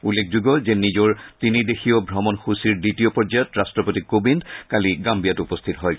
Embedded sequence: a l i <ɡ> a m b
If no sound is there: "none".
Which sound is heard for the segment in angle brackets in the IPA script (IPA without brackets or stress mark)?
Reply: ɡ